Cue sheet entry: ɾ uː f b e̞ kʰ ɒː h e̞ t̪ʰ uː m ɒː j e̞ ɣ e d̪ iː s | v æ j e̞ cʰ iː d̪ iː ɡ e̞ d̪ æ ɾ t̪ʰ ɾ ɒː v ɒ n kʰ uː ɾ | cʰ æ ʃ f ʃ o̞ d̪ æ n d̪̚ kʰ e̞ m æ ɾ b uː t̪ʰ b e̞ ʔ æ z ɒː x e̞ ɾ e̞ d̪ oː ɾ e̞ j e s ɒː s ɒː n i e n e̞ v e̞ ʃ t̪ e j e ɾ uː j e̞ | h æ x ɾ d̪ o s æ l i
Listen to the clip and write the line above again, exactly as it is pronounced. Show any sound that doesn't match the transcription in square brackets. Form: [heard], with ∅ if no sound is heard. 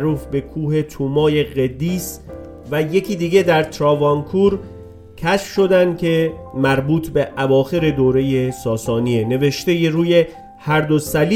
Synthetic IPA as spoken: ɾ uː f b e̞ kʰ [uː] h e̞ t̪ʰ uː m ɒː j e̞ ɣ e d̪ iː s | v æ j e̞ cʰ iː d̪ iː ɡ e̞ d̪ æ ɾ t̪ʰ ɾ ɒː v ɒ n kʰ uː ɾ | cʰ æ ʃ f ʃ o̞ d̪ æ n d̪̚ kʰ e̞ m æ ɾ b uː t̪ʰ b e̞ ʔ æ [v] ɒː x e̞ ɾ e̞ d̪ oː ɾ e̞ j e s ɒː s ɒː n i e n e̞ v e̞ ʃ t̪ e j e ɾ uː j e̞ | h æ [∅] ɾ d̪ o s æ l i